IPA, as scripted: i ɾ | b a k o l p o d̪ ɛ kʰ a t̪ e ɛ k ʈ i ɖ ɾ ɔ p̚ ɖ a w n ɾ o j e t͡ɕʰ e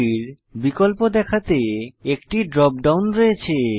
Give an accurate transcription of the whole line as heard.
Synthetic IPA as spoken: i ɾ | b i k o l p o d̪ ɛ kʰ a t̪ e e k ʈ i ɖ ɾ ɔ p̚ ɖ a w n ɾ o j e t͡ɕʰ e

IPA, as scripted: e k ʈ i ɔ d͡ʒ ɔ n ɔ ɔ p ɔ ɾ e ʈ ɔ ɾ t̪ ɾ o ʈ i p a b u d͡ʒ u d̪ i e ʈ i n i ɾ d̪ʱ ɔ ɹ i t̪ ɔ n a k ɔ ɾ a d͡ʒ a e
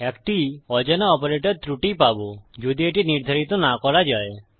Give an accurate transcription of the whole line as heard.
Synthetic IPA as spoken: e k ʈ i ɔ d͡ʒ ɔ n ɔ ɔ p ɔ ɾ e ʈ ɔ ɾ t̪ ɾ u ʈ i p a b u d͡ʒ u d̪ i e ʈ i n i ɾ d̪ʱ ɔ ɾ i t̪ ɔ n a k ɔ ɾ a d͡ʒ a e

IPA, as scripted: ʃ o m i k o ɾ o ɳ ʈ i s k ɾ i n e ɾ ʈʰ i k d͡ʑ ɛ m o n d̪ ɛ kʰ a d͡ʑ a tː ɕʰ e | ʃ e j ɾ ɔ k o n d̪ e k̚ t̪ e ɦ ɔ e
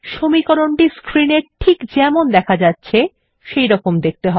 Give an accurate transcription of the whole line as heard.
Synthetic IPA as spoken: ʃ o m i k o ɾ o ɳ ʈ i s k ɾ i n e ɾ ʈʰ i k d͡ʑ ɛ m o n d̪ ɛ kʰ a d͡ʑ a tː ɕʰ e | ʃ e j ɾ ɔ k o m d̪ e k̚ t̪ e ɦ ɔ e

